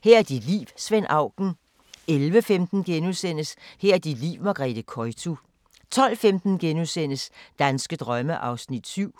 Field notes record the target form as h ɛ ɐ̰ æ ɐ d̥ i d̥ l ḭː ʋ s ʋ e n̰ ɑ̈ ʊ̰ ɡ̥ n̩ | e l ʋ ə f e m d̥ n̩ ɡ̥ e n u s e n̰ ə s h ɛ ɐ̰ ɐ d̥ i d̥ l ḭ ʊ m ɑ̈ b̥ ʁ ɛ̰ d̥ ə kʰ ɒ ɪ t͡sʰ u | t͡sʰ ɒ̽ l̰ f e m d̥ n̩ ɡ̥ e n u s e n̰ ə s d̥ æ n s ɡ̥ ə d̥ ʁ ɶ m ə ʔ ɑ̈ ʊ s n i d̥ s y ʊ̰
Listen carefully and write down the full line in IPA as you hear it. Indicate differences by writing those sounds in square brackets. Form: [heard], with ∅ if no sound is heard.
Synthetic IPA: h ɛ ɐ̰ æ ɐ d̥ i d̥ l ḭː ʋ s ʋ e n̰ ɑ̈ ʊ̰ ɡ̥ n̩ | e l ʋ ə f e m d̥ n̩ ɡ̥ e n u s e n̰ ə s h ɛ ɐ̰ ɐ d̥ i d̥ l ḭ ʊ m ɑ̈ [ɡ̥] ʁ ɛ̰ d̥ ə kʰ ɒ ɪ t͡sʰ u | t͡sʰ ɒ̽ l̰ f e m d̥ n̩ ɡ̥ e n u s e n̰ ə s d̥ æ n s ɡ̥ ə d̥ ʁ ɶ m ə ʔ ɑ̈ ʊ s n i d̥ s y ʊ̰